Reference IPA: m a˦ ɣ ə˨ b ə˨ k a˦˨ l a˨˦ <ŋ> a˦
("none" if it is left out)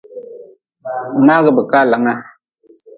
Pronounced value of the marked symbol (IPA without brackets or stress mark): ŋ